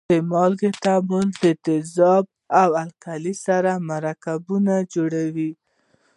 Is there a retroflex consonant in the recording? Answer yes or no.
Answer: yes